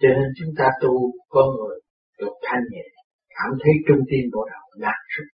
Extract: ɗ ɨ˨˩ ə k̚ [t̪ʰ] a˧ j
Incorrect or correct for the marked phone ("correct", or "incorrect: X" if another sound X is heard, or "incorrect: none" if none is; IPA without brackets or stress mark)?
correct